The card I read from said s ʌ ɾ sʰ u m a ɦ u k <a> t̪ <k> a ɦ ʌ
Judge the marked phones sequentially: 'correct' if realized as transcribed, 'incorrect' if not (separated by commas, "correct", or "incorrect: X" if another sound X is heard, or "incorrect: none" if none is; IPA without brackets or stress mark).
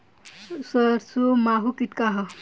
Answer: incorrect: i, correct